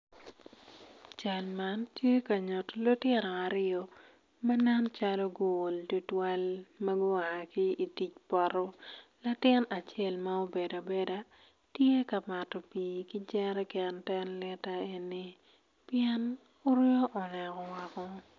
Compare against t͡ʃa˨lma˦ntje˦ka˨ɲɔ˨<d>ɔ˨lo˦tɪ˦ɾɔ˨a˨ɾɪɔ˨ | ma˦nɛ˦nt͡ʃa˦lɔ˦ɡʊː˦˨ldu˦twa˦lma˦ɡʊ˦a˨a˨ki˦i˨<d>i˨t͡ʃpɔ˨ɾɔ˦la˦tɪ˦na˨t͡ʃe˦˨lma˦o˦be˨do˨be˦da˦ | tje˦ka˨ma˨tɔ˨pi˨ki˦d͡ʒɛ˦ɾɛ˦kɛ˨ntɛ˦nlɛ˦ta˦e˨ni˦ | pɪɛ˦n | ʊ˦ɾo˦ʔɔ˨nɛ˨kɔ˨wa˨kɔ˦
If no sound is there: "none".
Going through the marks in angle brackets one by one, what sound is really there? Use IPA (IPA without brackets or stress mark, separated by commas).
t, t